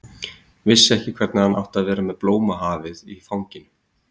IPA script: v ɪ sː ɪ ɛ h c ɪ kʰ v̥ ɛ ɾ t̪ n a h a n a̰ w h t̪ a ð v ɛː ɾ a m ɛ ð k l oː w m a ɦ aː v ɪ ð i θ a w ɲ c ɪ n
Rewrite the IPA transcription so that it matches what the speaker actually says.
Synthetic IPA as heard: v ɪ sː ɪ ɛ h c ɪ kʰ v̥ ɛ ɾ t̪ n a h a n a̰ w h t̪ a ð v ɛː ɾ a m ɛ ð p l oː w m a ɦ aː v ɪ ð i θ a w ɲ c ɪ n